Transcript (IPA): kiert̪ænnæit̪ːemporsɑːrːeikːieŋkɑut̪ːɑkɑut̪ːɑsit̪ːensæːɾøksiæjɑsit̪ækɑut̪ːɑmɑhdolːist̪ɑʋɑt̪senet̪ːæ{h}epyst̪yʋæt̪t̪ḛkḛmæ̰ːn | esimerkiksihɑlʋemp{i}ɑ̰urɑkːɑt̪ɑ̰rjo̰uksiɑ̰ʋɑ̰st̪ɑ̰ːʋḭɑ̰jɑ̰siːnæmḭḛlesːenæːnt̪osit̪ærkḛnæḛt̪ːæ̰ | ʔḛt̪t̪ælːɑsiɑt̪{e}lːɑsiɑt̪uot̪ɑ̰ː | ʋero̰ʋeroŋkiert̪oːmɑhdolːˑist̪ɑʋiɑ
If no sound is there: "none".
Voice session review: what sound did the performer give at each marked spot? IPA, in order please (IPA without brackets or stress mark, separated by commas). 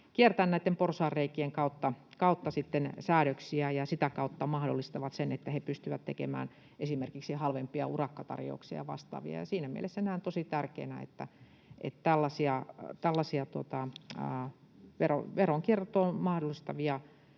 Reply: h, i, æ